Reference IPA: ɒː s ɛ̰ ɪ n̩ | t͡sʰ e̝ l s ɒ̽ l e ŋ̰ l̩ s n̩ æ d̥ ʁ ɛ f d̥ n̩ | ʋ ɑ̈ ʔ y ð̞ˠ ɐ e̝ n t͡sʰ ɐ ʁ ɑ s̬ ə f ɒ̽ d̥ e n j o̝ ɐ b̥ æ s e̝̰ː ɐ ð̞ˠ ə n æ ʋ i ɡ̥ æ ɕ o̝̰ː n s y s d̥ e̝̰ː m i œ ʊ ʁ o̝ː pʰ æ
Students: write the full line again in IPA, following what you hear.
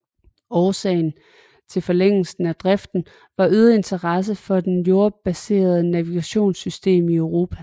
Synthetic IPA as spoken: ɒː s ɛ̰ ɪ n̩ | t͡sʰ e̝ l f ɒ̽ l e ŋ̰ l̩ s n̩ æ d̥ ʁ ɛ f d̥ n̩ | ʋ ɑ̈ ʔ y ð̞ˠ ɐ e̝ n t͡sʰ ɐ ʁ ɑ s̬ ə f ɒ̽ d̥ e n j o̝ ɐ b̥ æ s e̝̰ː ɐ ð̞ˠ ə n æ ʋ i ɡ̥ æ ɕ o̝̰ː n s y s d̥ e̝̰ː m i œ ʊ ʁ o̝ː pʰ æ